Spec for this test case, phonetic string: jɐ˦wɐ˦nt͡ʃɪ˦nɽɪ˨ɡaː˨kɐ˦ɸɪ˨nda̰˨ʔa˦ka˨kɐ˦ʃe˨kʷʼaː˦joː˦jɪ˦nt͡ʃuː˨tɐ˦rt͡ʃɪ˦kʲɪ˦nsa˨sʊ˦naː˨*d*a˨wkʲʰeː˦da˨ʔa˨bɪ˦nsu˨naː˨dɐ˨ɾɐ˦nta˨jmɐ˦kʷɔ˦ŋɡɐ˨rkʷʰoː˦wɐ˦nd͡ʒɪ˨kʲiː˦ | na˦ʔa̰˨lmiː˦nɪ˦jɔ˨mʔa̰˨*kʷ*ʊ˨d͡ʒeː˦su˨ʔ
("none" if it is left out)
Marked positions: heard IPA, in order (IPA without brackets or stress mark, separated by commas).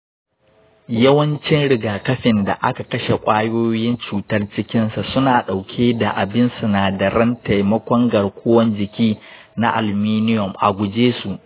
ɗ, ɡʷ